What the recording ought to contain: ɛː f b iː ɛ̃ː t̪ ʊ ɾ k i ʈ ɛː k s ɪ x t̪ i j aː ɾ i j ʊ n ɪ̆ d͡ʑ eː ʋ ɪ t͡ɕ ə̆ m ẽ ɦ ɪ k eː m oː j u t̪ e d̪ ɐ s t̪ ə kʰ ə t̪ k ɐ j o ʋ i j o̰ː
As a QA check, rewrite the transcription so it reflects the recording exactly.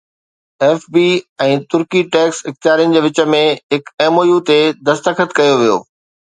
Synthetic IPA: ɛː f b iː ɛ̃ː t̪ ʊ ɾ k i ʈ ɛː k s ɪ x t̪ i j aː ɾ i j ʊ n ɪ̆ d͡ʑ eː ʋ ɪ t͡ɕ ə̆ m ẽ ɦ ɪ k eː m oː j u t̪ e d̪ ɐ s t̪ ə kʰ ə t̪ k ɐ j o ʋ i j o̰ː